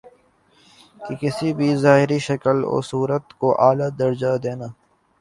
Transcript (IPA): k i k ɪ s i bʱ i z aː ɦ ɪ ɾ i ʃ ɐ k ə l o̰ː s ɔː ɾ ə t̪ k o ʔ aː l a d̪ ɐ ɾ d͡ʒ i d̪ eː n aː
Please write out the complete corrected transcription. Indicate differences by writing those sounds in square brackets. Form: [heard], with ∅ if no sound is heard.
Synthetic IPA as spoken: k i k ɪ s i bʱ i z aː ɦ ɪ ɾ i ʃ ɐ k ə l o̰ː s [uː] ɾ ə t̪ k o ʔ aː l a d̪ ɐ ɾ d͡ʒ [a] d̪ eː n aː